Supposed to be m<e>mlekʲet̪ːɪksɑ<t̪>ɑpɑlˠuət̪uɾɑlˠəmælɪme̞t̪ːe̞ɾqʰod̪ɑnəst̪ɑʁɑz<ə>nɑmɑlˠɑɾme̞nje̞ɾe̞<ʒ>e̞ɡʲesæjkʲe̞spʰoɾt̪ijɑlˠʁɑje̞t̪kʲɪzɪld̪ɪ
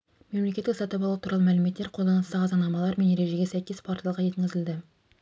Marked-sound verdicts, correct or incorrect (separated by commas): correct, correct, incorrect, correct